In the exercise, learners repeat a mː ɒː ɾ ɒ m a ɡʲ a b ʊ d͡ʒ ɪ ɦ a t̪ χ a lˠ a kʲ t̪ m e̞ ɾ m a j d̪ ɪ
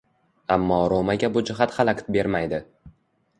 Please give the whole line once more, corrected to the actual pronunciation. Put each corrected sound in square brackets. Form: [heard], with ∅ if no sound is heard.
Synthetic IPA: a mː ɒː ɾ [o] m a ɡʲ a b ʊ d͡ʒ ɪ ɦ a t̪ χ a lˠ a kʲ t̪ [b] e̞ ɾ m a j d̪ ɪ

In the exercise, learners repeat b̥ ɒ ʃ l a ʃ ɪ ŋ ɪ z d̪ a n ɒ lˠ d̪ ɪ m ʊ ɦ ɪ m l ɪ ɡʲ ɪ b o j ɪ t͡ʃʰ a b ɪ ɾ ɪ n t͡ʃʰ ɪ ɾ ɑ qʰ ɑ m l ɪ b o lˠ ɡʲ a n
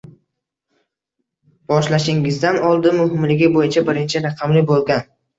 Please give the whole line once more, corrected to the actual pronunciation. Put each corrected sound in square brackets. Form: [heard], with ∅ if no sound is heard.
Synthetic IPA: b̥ ɒ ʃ l a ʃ ɪ ŋ ɪ z d̪ a n ɒ lˠ d̪ ɪ m ʊ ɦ ɪ m l ɪ ɡʲ ɪ b o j ɪ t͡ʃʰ a b ɪ ɾ ɪ n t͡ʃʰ ɪ ɾ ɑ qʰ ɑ m l ɪ b o lˠ ɡʲ a n

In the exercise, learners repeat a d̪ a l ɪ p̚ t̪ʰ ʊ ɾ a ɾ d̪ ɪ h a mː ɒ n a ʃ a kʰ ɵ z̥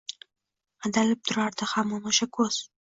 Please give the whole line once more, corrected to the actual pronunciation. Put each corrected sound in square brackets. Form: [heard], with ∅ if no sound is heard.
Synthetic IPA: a d̪ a l ɪ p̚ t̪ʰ ʊ ɾ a ɾ d̪ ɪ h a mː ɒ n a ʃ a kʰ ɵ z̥

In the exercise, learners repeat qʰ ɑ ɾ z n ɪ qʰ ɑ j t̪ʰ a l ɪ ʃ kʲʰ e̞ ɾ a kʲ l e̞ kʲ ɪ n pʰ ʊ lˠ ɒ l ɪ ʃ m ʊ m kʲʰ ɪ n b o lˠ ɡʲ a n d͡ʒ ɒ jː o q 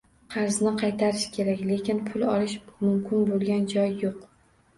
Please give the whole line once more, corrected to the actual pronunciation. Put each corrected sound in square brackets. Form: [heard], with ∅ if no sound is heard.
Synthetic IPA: qʰ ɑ ɾ z n ɪ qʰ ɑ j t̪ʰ a [ɾ] ɪ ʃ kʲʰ e̞ ɾ a kʲ l e̞ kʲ ɪ n pʰ ʊ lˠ ɒ l ɪ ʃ m ʊ m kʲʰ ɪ n b o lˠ ɡʲ a n d͡ʒ ɒ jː o q

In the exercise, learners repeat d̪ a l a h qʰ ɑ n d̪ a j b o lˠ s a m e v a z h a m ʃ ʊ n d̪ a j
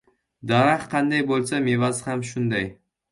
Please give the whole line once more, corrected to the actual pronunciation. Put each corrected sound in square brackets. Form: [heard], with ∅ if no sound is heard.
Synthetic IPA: d̪ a [ɾ] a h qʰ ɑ n d̪ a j b o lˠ s a m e v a z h a m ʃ ʊ n d̪ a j

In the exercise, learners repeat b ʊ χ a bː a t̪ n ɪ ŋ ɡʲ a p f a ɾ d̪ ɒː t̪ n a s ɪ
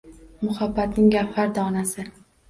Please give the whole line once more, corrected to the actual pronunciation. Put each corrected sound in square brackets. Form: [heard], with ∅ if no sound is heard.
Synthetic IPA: [m] ʊ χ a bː a t̪ n ɪ ŋ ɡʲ a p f a ɾ d̪ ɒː [∅] n a s ɪ

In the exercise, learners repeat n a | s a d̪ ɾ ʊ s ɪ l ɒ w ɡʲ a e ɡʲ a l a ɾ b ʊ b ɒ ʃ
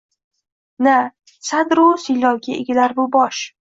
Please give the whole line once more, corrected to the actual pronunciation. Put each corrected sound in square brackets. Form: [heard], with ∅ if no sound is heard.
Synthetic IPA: n a | s a d̪ ɾ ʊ s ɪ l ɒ w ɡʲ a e ɡʲ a l a ɾ b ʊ b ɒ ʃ

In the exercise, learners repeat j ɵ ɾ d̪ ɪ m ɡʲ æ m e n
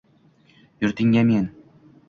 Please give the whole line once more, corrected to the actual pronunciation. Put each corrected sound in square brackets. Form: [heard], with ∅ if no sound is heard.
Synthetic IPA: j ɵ ɾ [t̪] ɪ [ŋ] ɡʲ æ m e n

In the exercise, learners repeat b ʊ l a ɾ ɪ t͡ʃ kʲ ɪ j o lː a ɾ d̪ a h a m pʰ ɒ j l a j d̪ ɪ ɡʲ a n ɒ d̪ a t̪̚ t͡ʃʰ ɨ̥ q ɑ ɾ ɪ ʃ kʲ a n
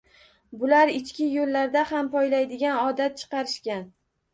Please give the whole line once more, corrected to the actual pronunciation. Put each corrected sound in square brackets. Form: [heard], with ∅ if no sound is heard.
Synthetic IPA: b ʊ l a ɾ ɪ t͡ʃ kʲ ɪ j o lː a ɾ d̪ a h a m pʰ ɒ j l a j d̪ ɪ ɡʲ a n ɒ d̪ a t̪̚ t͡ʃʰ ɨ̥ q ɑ ɾ ɪ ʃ kʲ a n

